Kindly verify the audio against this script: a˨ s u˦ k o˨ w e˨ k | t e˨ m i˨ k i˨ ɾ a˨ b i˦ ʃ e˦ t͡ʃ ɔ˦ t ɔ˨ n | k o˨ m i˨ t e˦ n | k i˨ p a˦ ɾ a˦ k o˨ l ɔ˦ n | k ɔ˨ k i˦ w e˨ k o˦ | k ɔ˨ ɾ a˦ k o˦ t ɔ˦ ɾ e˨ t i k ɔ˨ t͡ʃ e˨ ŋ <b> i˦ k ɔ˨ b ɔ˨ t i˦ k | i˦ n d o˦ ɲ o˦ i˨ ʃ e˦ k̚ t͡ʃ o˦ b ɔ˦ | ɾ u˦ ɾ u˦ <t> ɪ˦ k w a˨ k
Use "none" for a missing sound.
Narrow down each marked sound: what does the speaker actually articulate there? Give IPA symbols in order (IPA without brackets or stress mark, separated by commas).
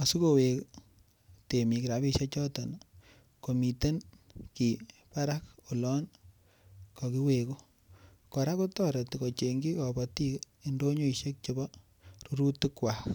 ɡ, t